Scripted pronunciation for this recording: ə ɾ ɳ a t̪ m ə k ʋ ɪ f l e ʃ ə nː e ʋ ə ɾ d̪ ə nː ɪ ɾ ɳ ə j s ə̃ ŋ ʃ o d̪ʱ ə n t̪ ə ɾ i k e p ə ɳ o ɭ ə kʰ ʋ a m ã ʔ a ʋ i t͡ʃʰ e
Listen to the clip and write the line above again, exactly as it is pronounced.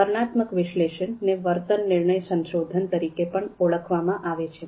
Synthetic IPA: ə ɾ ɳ a t̪ m ə k ʋ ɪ ʃ l e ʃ ə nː e ʋ ə ɾ t̪ ə nː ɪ ɾ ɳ ə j s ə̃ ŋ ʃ o d̪ʱ ə n t̪ ə ɾ i k e p ə ɳ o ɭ ə kʰ ʋ a m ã ʔ a ʋ e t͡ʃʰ e